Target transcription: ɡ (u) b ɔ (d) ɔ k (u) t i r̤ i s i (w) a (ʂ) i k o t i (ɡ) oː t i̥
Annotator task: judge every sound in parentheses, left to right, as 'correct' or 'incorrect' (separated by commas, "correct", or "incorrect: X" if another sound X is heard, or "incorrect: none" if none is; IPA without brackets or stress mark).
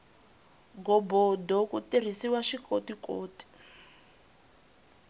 incorrect: ɔ, correct, correct, correct, incorrect: ʃ, incorrect: k